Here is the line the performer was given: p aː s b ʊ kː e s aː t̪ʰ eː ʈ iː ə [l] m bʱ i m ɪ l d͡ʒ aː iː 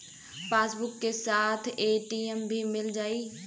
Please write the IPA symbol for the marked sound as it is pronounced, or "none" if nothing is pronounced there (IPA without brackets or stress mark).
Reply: none